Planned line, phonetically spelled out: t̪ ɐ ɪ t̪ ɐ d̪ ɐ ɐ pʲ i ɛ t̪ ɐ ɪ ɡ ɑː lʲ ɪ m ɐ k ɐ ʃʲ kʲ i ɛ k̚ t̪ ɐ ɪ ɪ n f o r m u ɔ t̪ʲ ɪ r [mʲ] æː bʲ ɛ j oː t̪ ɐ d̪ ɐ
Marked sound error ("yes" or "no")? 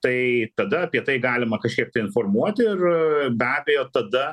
yes